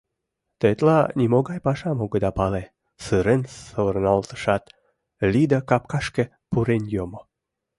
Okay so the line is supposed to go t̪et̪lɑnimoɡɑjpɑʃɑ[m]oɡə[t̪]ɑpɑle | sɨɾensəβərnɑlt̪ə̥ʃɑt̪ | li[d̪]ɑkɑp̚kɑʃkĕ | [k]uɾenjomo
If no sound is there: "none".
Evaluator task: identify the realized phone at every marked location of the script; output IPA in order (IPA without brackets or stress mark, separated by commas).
m, d̪, d̪, p